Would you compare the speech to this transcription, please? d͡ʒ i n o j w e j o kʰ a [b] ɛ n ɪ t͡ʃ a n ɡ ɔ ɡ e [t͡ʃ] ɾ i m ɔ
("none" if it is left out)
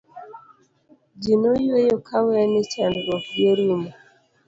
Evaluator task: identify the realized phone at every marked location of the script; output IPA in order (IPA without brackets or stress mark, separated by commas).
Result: w, none